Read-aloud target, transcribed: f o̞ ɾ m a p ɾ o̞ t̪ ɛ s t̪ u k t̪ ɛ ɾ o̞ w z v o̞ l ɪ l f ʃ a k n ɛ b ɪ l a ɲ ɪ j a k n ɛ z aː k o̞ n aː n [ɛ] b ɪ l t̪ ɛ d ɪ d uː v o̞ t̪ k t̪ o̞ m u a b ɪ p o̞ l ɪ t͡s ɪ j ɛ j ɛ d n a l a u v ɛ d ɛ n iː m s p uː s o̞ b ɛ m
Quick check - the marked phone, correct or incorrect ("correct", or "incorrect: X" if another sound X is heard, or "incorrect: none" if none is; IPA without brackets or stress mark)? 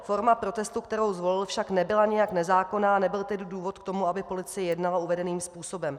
correct